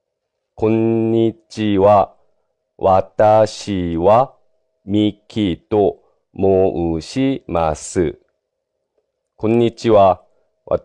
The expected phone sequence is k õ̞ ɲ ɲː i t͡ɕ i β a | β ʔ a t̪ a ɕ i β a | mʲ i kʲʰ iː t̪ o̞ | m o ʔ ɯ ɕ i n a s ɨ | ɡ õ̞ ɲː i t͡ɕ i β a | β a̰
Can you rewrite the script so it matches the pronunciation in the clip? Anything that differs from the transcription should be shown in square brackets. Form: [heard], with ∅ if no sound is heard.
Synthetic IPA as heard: k õ̞ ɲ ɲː i t͡ɕ i β a | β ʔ a t̪ a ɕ i β a | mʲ i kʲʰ [i] t̪ o̞ | m o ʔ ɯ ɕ i [m] a s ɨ | [k] õ̞ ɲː i t͡ɕ i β a | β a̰